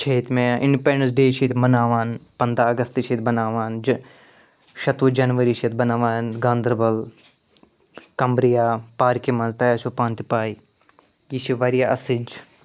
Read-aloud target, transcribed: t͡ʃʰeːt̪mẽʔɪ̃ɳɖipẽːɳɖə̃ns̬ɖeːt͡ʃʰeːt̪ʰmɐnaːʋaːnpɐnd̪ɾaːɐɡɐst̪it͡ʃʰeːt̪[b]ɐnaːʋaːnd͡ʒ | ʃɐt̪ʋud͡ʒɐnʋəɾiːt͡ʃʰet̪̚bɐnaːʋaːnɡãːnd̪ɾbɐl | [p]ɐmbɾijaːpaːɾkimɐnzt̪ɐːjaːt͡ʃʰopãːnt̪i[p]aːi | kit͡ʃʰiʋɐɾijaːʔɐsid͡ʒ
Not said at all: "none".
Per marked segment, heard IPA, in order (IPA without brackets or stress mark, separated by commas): b, k, p